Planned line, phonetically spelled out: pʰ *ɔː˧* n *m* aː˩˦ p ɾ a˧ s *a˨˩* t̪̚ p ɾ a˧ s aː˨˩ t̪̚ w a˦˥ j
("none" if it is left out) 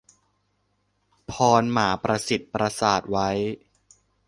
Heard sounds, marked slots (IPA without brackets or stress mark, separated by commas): ɔː˧, m, i˨˩